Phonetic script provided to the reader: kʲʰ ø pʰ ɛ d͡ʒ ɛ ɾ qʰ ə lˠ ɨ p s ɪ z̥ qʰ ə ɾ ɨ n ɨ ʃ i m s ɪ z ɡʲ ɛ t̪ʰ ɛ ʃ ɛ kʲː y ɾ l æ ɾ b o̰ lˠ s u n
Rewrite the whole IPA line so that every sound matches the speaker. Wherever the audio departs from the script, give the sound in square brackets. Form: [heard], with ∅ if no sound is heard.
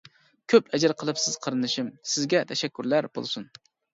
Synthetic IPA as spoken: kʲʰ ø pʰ ɛ d͡ʒ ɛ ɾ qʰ ə lˠ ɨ p s ɪ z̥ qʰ ə ɾ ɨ n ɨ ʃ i m s ɪ z ɡʲ ɛ t̪ʰ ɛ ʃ ɛ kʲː y ɾ l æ ɾ b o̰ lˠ s u n